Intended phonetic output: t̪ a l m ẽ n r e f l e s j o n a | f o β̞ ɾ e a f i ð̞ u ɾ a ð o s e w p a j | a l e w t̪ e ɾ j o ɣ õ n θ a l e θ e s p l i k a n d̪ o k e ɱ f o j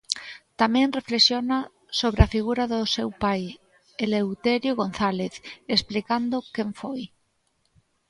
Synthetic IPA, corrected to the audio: t̪ a m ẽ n r e f l e s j o n a | s o β̞ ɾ e a f i ɣ̞ u ɾ a ð o s e w p a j | e l e w t̪ e ɾ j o ɣ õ n θ a l e θ e s p l i k a n d̪ o k e ɱ f o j